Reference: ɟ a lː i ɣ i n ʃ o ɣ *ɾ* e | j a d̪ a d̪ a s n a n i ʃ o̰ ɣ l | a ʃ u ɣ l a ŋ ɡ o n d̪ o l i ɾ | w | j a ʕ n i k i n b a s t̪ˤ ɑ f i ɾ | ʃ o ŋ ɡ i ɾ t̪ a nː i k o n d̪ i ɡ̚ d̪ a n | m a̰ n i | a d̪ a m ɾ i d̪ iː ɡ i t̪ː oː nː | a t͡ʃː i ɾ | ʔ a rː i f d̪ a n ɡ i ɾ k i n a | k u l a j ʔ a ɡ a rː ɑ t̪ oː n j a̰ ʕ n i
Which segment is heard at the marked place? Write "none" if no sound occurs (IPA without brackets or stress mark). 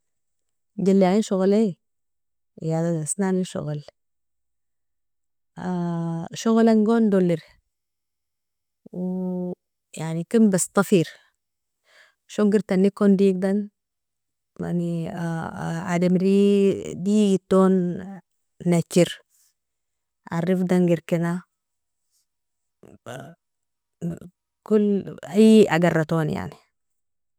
l